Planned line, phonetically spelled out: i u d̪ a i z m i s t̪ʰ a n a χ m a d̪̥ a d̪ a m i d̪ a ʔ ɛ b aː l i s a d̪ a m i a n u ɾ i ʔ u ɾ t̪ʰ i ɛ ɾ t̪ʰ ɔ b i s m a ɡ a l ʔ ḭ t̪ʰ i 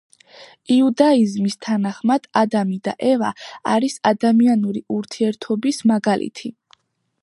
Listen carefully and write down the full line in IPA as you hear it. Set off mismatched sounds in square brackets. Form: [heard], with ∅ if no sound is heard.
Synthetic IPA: i u d̪ a i z m i s t̪ʰ a n a χ m a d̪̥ a d̪ a m i d̪ a ʔ ɛ [v] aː [ɾ] i s a d̪ a m i a n u ɾ i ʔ u ɾ t̪ʰ i ɛ ɾ t̪ʰ ɔ b i s m a ɡ a l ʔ ḭ t̪ʰ i